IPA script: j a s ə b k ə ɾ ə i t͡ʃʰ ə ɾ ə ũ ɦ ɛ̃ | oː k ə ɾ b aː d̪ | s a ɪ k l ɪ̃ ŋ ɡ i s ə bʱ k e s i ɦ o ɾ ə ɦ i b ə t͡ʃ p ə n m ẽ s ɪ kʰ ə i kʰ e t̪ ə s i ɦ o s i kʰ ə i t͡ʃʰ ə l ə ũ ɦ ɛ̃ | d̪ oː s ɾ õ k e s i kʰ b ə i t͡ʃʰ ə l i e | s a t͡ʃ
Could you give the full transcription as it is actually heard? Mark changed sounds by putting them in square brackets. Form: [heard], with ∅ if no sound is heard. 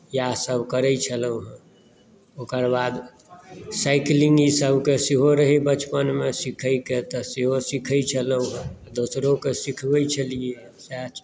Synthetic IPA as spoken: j a s ə b k ə ɾ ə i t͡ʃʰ ə [l] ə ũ ɦ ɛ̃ | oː k ə ɾ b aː d̪ | s a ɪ k l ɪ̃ ŋ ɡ i s ə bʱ k e s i ɦ o ɾ ə ɦ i b ə t͡ʃ p ə n m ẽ s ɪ kʰ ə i [k] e t̪ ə s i ɦ o s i kʰ ə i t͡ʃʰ ə l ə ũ ɦ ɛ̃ | d̪ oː s ɾ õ k e s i kʰ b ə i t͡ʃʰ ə l i e | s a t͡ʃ